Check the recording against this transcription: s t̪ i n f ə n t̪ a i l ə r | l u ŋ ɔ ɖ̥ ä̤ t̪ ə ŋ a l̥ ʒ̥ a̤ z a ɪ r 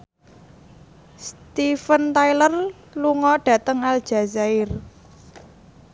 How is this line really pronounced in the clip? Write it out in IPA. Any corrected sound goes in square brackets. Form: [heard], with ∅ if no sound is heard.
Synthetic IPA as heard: s t̪ i [∅] f ə n t̪ a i l ə r | l u ŋ ɔ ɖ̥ ä̤ t̪ ə ŋ a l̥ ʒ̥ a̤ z a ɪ r